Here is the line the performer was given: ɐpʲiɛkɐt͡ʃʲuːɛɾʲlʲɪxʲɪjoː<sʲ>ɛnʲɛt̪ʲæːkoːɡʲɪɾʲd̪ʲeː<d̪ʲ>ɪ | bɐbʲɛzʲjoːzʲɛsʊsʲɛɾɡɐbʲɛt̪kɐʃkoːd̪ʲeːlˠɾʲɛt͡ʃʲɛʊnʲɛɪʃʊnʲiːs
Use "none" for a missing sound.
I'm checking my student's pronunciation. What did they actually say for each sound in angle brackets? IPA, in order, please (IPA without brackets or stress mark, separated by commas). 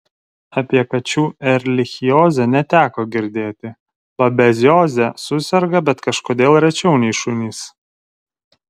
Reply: zʲ, t̪ʲ